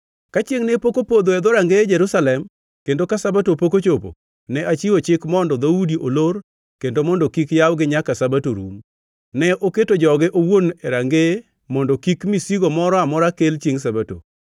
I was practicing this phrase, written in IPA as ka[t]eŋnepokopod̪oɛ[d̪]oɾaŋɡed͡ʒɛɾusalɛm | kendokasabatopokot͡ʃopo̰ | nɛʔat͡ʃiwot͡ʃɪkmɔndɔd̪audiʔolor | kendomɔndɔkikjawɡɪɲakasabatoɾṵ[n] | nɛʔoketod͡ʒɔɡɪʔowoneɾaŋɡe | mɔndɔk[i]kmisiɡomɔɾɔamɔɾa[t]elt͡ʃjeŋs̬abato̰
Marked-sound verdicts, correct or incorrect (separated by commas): incorrect, correct, incorrect, correct, incorrect